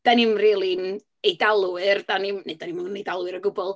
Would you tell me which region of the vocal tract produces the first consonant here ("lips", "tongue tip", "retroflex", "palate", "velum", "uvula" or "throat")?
tongue tip